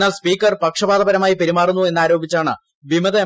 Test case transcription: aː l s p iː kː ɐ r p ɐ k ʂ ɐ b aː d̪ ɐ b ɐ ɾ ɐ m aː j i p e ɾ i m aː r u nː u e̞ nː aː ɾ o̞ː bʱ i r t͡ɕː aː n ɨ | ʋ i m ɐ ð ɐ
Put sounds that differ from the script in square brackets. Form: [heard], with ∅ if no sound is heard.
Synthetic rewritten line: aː l s p iː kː ɐ r p ɐ k ʂ ɐ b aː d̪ ɐ b ɐ ɾ ɐ m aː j i p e ɾ i m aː r u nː u e̞ nː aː ɾ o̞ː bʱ i [∅] t͡ɕː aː [ɳ] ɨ | ʋ i m ɐ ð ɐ

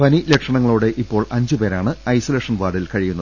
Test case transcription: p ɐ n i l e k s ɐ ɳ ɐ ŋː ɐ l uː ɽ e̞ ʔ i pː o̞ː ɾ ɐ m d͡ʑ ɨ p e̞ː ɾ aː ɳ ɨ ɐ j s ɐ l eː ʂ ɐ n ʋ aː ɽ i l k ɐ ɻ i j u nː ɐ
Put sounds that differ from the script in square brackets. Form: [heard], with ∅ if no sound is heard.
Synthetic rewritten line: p ɐ n i l e k [ʂ] ɐ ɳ ɐ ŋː ɐ [ɭ] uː ɽ e̞ ʔ i pː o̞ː [ɭ] ɐ [ɲ] d͡ʑ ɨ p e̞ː ɾ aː ɳ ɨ ɐ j s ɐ l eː ʂ ɐ n ʋ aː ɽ i l k ɐ ɻ i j u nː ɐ

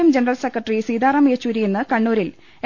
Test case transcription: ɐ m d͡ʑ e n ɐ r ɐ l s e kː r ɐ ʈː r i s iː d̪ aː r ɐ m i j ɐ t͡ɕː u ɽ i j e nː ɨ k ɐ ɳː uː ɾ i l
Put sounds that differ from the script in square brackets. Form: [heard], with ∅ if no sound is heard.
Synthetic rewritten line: ɐ m d͡ʑ e n ɐ r ɐ l s e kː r ɐ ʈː r i s iː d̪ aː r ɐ m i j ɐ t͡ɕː u [ɾ] i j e nː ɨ k ɐ ɳː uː ɾ i l

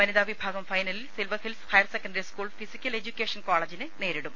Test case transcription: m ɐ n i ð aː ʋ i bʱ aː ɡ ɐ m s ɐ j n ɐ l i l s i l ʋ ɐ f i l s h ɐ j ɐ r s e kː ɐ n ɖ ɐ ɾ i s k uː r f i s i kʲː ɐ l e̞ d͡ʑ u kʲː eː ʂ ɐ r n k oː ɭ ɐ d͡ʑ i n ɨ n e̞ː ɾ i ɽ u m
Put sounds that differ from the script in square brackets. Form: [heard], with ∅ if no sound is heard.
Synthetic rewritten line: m ɐ n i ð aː ʋ i bʱ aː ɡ ɐ m [f] ɐ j n ɐ l i l s i l ʋ ɐ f i l s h ɐ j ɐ r s e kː ɐ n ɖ ɐ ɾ i s k uː [ɭ] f i s i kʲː ɐ l e̞ d͡ʑ u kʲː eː ʂ ɐ [∅] n k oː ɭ ɐ d͡ʑ i n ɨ n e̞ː ɾ i ɽ u m

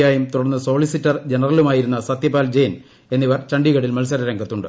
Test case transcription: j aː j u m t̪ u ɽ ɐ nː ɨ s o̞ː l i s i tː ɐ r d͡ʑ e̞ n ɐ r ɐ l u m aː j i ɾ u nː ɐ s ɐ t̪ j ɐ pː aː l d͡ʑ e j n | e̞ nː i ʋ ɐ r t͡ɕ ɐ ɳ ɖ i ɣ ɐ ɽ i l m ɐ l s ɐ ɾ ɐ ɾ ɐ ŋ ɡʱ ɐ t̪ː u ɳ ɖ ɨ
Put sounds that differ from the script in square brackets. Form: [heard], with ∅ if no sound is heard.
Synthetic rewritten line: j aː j u m t̪ u ɽ ɐ nː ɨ s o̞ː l i s i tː ɐ r d͡ʑ e̞ n ɐ r ɐ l u m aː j i ɾ u nː ɐ s ɐ t̪ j ɐ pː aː l d͡ʑ e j n | e̞ nː i ʋ ɐ r t͡ɕ ɐ ɳ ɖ i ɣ ɐ ɽ i l m ɐ l s ɐ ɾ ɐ ɾ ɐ ŋ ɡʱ ɐ t̪ː u ɳ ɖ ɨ

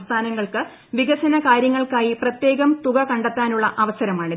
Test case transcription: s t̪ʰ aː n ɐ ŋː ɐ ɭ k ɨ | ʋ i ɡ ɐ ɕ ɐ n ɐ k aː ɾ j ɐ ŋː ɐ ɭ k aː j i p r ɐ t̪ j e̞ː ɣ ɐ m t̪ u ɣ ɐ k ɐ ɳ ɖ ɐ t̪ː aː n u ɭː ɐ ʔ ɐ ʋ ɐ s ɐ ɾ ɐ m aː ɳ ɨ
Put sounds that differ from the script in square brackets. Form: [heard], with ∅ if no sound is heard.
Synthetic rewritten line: s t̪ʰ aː n ɐ ŋː ɐ ɭ k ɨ | ʋ i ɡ ɐ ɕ ɐ n ɐ k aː ɾ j ɐ ŋː ɐ ɭ k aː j i p r ɐ t̪ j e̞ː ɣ ɐ m t̪ u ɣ ɐ k ɐ ɳ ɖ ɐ t̪ː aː n u ɭː ɐ ʔ ɐ ʋ ɐ s ɐ ɾ ɐ m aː ɳ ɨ

